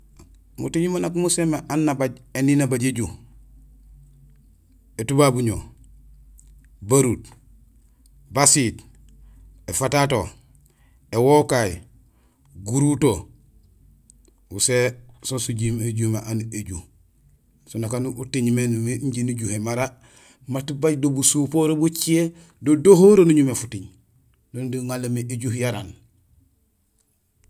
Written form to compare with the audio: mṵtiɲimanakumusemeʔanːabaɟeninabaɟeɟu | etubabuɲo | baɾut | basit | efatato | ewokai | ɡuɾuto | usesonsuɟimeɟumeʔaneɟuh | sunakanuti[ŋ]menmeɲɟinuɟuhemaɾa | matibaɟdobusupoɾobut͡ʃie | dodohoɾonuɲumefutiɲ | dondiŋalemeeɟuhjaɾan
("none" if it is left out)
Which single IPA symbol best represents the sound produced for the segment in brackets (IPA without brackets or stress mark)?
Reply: ɲ